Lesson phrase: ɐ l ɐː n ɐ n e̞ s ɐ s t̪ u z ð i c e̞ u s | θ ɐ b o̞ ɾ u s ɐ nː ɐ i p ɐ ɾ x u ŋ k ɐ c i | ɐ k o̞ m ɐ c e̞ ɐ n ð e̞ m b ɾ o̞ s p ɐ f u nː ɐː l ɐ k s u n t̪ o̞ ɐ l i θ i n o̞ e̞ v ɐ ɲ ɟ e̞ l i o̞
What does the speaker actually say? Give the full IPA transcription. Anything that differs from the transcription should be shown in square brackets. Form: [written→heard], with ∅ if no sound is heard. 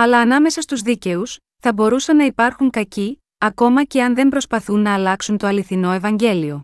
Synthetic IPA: ɐ l ɐː n ɐ [n→m] e̞ s ɐ s t̪ u z ð i c e̞ u s | θ ɐ b o̞ ɾ u s ɐ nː ɐ i p ɐ ɾ x u ŋ k ɐ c i | ɐ k o̞ m ɐ c e̞ ɐ n ð e̞ m b ɾ o̞ s p ɐ [f→θ] u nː ɐː l ɐ k s u n t̪ o̞ ɐ l i θ i n o̞ e̞ v ɐ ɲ ɟ e̞ l i o̞